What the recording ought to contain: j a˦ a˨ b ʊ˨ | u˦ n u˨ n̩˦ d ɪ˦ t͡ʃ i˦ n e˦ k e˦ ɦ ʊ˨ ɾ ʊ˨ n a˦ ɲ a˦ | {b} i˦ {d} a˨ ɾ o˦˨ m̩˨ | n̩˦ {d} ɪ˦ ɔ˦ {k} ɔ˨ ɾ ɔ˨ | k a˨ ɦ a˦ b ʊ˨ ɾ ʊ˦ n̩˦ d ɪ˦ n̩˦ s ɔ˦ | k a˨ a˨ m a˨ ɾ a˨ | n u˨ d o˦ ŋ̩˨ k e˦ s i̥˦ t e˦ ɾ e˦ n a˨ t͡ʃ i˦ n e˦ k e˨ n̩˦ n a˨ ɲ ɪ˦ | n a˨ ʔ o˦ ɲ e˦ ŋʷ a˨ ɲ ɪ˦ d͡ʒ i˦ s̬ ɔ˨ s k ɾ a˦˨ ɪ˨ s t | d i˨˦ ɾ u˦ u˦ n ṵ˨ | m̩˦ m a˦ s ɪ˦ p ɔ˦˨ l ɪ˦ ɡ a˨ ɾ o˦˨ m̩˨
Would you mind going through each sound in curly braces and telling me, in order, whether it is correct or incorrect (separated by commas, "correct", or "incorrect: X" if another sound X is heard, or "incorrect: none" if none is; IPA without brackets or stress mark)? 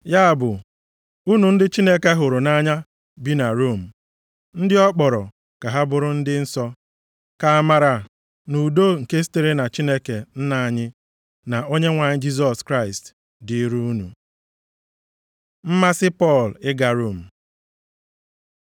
correct, incorrect: n, correct, incorrect: k͡p